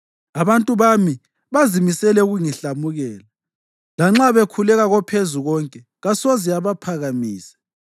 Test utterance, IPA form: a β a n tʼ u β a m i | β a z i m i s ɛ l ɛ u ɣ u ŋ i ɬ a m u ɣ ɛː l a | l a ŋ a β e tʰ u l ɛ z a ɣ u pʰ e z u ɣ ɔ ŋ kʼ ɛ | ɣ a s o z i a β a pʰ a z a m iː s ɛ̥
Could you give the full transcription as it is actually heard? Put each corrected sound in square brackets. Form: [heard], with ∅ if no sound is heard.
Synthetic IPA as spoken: a β a n tʼ u β a m i | β a z i m i s ɛ l ɛ u ɣ u ŋ i ɬ a m u ɣ ɛː l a | l a [ŋ͡ǁ] a β e [kʰ] u l ɛ [ɣ] a ɣ [ɔ] pʰ e z u ɣ ɔ ŋ kʼ ɛ | ɣ a s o z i a β a pʰ a [ɣ] a m iː s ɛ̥

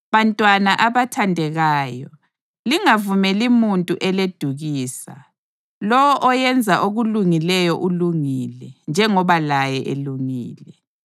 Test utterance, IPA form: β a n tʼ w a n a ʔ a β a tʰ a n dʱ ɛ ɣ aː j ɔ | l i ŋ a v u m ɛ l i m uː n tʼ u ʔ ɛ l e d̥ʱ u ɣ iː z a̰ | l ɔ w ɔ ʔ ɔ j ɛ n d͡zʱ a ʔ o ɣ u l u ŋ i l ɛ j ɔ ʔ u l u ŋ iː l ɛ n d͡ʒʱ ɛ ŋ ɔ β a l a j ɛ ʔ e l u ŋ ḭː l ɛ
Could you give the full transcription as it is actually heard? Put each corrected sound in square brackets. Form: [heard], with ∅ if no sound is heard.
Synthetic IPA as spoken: β a n tʼ w a n a ʔ a β a tʰ a n dʱ ɛ ɣ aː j ɔ | l i ŋ a v u m ɛ l i m [u] n tʼ u ʔ ɛ l e d̥ʱ u ɣ iː [s] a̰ | l ɔ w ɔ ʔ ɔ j ɛ n d͡zʱ a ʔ o ɣ u l u ŋ i l ɛ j ɔ ʔ u l u ŋ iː l ɛ n d͡ʒʱ ɛ ŋ ɔ β a l a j ɛ ʔ e l u ŋ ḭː l ɛ

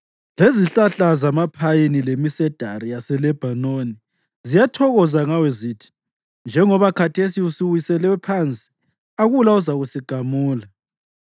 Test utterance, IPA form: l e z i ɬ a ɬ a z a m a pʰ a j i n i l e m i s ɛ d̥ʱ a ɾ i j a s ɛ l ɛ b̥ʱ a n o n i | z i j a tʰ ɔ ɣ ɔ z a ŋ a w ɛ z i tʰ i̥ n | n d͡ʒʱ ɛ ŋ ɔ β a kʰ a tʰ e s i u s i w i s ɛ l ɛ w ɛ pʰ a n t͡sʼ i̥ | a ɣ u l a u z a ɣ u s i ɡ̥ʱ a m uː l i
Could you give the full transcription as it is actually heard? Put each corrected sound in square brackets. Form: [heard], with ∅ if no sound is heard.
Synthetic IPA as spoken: l e z i ɬ a ɬ a z a m a pʰ a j i n i l e m i s ɛ d̥ʱ a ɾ i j a s ɛ l ɛ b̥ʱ a n o n i | z i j a tʰ ɔ ɣ ɔ z a ŋ a w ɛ z i tʰ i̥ [∅] | n d͡ʒʱ ɛ ŋ ɔ β a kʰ a tʰ e s i u s i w i s ɛ l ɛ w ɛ pʰ a n t͡sʼ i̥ | a ɣ u l a u z a ɣ u s i ɡ̥ʱ a m uː l [a]

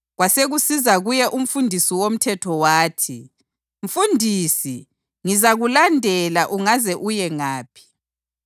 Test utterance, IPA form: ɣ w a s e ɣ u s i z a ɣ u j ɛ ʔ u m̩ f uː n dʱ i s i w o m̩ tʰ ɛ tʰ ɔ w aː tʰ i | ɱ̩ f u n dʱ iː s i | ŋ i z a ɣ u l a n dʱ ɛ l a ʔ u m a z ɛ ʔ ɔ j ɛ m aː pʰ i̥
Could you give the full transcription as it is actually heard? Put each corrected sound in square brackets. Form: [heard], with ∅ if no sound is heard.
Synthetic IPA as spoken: ɣ w a s e ɣ u s i z a ɣ u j ɛ ʔ u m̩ f [u] n dʱ i s i w o m̩ tʰ ɛ tʰ ɔ w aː tʰ i | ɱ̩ f u n dʱ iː s i | ŋ i z a ɣ u l a n dʱ ɛ l a ʔ u [ŋ] a z ɛ ʔ [u] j ɛ [ŋ] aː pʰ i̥

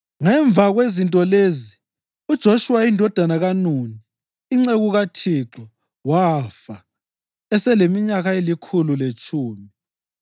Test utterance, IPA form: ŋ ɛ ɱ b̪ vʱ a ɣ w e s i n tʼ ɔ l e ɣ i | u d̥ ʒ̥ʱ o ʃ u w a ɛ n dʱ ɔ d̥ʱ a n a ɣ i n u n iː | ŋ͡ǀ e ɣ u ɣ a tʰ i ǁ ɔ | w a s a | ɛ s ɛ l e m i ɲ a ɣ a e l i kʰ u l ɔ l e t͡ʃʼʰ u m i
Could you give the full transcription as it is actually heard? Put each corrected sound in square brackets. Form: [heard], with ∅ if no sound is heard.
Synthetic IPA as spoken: ŋ ɛ ɱ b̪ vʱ a ɣ w e [z] i n tʼ ɔ l e [z] i | u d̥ ʒ̥ʱ o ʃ u w a [i] n dʱ ɔ d̥ʱ a n a ɣ [a] n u n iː | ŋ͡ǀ e ɣ u ɣ a tʰ i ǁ ɔ | w a [f] a | ɛ s ɛ l e m i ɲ a ɣ a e l i kʰ u l [u] l e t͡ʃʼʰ [uː] m i

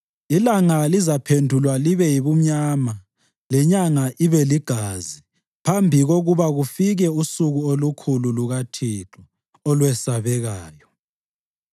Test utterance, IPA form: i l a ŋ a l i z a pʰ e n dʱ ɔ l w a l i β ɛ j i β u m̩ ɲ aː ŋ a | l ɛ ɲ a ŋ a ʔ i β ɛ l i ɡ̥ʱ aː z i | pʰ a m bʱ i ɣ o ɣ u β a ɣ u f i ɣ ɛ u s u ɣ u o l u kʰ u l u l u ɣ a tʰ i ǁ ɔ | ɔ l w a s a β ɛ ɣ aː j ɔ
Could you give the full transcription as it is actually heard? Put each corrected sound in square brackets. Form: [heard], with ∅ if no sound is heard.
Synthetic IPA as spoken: i l a ŋ a l i z a pʰ e n dʱ [u] l w a l i β ɛ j i β u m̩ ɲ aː [m] a | l ɛ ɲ a ŋ a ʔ i β ɛ l i ɡ̥ʱ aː z i | pʰ a m bʱ i ɣ o ɣ u β a ɣ u f i ɣ ɛ u s u ɣ u o l u kʰ u l u l u ɣ a tʰ i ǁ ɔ | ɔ l w [ɛ] s a β ɛ ɣ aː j ɔ

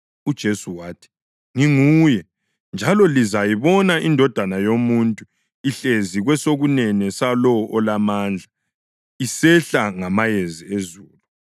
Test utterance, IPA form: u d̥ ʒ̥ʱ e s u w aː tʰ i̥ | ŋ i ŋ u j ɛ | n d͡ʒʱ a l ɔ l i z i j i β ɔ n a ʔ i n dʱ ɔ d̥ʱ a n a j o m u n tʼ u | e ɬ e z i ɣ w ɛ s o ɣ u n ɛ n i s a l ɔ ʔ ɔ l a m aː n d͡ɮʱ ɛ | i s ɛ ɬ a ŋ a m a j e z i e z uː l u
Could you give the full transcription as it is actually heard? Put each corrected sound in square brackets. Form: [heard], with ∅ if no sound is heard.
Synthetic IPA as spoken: u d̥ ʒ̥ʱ e s u w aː tʰ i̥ | ŋ i ŋ u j ɛ | n d͡ʒʱ a l ɔ l i z [a] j i β ɔ n a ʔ i n dʱ ɔ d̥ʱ a n a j o m u n tʼ u | [i] ɬ e z i ɣ w ɛ s o ɣ u n ɛ n [ɛ] s a l ɔ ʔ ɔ l a m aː n d͡ɮʱ [a] | i s ɛ ɬ a ŋ a m a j e z i e z uː l u

